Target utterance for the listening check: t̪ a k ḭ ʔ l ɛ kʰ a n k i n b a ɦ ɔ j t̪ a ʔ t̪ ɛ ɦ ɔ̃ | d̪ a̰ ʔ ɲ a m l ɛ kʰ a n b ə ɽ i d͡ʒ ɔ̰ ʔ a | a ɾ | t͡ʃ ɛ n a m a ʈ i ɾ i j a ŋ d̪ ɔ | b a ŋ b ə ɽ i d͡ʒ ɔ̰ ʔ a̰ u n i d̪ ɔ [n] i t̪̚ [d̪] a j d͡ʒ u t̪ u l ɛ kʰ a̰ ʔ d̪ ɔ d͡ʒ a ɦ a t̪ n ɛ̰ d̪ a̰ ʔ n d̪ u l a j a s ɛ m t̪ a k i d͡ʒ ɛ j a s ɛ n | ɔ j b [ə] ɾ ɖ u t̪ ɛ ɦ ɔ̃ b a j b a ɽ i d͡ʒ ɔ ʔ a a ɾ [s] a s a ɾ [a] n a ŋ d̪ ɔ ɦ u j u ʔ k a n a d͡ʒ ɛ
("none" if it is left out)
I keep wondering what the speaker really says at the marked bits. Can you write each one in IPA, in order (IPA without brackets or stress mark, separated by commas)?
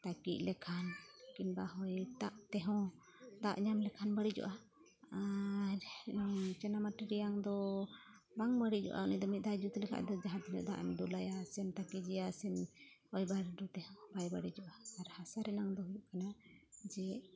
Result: m, d̪, a, h, ɛ